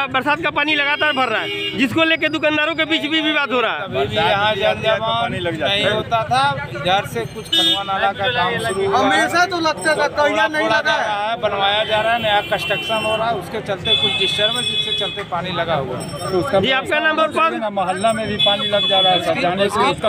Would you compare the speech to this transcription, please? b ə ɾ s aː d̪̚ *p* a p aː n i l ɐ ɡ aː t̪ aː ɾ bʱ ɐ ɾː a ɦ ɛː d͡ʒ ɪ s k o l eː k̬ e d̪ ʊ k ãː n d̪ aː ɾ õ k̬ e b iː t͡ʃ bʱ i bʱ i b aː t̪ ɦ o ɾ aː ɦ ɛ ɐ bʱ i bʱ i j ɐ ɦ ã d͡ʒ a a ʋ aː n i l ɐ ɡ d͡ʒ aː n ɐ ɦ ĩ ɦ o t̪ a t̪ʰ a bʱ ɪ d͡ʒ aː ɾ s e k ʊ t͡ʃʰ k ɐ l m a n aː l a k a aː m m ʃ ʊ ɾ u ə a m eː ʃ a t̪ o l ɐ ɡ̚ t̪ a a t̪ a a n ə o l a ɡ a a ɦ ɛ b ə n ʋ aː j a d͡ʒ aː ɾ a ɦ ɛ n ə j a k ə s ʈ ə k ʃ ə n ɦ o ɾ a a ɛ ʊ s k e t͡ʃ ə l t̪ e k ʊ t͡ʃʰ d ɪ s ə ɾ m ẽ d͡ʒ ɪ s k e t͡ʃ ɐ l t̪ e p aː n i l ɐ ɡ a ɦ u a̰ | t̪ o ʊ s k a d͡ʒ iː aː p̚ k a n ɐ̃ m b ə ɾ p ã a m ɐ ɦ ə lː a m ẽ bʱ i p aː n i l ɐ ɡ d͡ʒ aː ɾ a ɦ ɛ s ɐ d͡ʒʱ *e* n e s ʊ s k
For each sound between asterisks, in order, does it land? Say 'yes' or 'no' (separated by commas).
no, no